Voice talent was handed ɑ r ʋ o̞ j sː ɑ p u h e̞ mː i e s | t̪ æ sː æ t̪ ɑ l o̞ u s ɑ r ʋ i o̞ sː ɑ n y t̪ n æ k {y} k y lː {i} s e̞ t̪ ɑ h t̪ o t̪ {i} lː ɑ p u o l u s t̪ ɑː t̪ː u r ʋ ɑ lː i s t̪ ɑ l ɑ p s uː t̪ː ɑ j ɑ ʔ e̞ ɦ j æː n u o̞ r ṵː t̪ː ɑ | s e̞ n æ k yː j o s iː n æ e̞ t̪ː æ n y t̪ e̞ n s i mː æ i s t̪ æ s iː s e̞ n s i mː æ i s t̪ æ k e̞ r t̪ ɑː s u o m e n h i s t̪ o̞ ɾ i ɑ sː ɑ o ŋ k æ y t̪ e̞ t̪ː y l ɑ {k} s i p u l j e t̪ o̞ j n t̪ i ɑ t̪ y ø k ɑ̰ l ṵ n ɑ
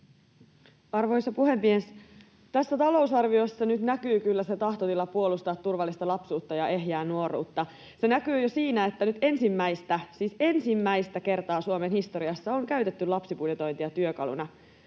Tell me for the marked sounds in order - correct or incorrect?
incorrect: yː, incorrect: æ, correct, incorrect: p

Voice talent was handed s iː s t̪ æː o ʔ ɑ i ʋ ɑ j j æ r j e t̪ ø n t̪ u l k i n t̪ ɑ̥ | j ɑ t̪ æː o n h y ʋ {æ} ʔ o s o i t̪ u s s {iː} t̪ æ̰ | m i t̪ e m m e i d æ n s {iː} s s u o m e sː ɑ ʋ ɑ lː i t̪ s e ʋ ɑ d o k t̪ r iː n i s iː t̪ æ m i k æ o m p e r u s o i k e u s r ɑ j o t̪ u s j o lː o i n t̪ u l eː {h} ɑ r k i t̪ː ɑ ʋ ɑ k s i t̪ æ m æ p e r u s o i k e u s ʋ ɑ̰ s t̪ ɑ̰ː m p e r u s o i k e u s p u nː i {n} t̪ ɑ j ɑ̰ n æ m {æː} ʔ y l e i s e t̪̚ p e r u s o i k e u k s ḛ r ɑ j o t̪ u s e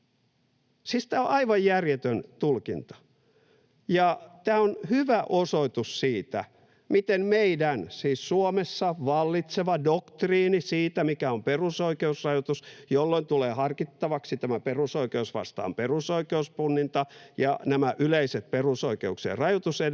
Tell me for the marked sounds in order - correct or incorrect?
correct, correct, correct, correct, correct, incorrect: æ

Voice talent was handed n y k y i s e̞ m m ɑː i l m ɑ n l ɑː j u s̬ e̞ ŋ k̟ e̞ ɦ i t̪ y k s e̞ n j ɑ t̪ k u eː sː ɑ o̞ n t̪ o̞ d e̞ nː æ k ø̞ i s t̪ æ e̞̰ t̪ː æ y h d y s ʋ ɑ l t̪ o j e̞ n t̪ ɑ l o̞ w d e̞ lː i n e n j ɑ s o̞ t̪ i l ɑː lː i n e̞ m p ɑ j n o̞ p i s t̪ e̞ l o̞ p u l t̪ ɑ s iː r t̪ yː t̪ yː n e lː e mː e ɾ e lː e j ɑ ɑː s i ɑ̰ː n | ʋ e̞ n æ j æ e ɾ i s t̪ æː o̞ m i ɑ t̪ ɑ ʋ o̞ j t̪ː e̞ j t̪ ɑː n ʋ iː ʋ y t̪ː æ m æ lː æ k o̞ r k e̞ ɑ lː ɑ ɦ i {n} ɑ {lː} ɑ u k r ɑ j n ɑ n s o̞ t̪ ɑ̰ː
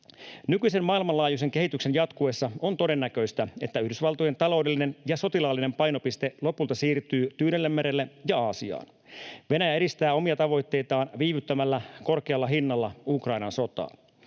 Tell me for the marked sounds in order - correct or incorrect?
incorrect: nː, correct

